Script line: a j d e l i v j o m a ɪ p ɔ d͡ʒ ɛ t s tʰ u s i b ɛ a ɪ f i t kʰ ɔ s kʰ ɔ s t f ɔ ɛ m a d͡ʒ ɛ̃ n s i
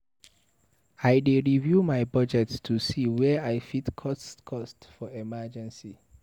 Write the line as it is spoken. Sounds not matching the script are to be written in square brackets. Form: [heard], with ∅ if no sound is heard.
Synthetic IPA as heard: a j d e [ɹ] i v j [u] m a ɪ [b] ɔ d͡ʒ ɛ t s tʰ u s i [w] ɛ a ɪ f i t kʰ ɔ s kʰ ɔ s t f ɔ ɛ m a d͡ʒ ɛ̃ n s i